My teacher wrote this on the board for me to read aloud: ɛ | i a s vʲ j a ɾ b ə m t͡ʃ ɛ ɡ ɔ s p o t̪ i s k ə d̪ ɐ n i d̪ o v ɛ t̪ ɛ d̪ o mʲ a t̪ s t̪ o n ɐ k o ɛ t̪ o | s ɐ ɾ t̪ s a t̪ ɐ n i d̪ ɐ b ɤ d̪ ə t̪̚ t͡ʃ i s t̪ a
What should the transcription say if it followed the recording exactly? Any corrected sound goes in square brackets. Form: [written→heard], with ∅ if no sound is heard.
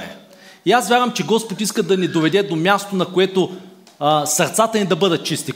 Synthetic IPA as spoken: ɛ | i a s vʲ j a ɾ [b→v] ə m t͡ʃ ɛ ɡ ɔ s p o t̪ i s k ə d̪ ɐ n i d̪ o v ɛ [t̪→d̪] ɛ d̪ o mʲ a [t̪→∅] s t̪ o n ɐ k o ɛ t̪ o | s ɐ ɾ t̪ s a t̪ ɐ n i d̪ ɐ b ɤ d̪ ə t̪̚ t͡ʃ i s t̪ [a→i]